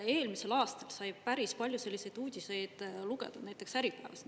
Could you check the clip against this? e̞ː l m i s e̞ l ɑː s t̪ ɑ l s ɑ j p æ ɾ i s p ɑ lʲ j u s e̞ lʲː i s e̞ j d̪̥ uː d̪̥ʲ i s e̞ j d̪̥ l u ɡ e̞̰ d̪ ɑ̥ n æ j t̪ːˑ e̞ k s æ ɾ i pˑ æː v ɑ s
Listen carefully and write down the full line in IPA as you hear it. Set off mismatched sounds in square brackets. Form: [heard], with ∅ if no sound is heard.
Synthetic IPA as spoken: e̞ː l m i s e̞ l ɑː s t̪ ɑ l s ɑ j p æ ɾ i s p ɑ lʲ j u s e̞ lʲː i s e̞ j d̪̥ uː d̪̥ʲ i s e̞ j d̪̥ l u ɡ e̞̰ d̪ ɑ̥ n æ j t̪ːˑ e̞ k s æ ɾ i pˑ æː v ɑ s